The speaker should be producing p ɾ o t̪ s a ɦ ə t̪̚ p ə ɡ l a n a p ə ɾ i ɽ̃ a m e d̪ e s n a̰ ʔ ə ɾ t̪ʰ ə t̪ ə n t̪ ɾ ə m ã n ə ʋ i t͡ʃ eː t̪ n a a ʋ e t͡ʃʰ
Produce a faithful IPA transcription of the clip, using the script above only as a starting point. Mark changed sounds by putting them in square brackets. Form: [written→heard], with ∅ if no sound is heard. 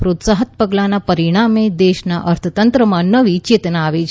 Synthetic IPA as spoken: p ɾ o t̪ s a ɦ ə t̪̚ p ə ɡ l a n a p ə ɾ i ɽ̃ a m e d̪ e [s→ʃ] n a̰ ʔ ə ɾ t̪ʰ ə t̪ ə n t̪ ɾ ə m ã n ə ʋ i t͡ʃ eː t̪ n a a ʋ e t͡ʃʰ